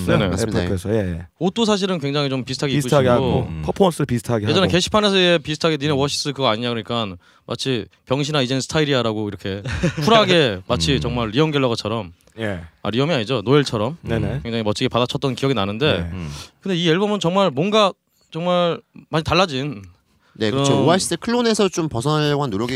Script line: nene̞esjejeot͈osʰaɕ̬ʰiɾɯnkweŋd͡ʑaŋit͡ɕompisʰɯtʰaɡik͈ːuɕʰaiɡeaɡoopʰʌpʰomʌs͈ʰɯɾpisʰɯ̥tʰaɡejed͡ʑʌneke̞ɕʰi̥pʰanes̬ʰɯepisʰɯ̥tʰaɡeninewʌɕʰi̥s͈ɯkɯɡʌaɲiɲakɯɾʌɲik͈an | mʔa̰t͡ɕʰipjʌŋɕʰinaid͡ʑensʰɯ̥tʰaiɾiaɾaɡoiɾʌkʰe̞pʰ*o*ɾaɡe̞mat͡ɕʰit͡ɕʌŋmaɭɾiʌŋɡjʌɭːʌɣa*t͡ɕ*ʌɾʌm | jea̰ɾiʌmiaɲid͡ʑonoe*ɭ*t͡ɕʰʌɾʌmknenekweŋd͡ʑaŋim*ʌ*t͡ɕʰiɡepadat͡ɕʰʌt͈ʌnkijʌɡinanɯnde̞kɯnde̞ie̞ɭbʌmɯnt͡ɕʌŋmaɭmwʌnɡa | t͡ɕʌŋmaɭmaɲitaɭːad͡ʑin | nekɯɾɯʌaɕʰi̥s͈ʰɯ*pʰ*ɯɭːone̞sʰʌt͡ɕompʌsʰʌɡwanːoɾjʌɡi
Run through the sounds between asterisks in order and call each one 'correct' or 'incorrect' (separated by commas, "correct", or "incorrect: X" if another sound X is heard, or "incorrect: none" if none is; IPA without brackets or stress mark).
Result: incorrect: u, incorrect: t͡ɕʰ, correct, correct, incorrect: kʰ